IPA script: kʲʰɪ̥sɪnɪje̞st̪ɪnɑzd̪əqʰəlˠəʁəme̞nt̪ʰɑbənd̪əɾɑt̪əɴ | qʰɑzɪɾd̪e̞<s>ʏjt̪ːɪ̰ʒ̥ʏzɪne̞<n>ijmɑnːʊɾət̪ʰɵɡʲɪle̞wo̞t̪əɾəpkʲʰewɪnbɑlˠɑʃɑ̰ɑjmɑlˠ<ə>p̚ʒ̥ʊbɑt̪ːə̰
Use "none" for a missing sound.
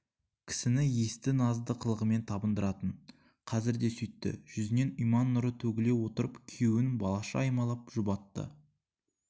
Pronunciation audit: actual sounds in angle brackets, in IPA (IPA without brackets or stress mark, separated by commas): s, n, ɑ